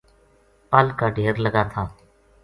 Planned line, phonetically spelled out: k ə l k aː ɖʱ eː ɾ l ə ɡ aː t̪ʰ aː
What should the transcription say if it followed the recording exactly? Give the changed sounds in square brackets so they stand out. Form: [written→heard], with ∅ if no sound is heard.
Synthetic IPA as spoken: [k→p] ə l k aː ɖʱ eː ɾ l ə ɡ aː t̪ʰ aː